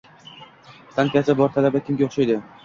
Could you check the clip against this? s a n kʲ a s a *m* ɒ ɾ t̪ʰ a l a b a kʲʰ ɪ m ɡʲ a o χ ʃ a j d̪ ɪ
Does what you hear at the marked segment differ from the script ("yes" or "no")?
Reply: yes